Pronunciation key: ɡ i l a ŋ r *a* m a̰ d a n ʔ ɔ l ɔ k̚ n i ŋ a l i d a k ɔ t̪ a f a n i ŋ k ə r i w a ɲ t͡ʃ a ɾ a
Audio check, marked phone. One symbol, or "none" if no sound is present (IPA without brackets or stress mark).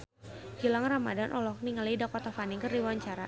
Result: a